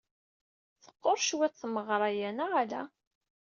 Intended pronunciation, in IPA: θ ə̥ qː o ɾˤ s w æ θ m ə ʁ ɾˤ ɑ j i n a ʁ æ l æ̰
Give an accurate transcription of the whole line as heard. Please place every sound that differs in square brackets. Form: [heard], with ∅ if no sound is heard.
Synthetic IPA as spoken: θ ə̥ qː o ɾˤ [ʃ] w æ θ m ə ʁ ɾˤ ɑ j [æ] n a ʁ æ l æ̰